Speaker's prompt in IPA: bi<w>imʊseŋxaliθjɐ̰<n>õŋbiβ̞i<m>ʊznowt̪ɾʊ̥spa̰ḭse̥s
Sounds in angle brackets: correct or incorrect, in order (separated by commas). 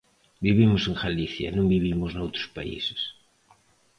incorrect, correct, correct